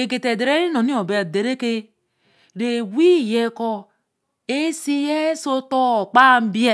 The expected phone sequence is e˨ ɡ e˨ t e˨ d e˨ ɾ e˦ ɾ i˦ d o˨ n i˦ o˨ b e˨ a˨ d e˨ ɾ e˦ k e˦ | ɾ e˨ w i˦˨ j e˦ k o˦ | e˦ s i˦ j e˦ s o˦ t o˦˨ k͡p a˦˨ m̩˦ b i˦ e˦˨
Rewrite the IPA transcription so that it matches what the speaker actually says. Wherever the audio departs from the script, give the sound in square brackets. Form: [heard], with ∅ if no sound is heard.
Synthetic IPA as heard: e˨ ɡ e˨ t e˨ d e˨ ɾ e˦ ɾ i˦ [n] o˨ n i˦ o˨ b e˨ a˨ d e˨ ɾ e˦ k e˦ | ɾ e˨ w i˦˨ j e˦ k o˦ | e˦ s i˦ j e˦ s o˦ t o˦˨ k͡p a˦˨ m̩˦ b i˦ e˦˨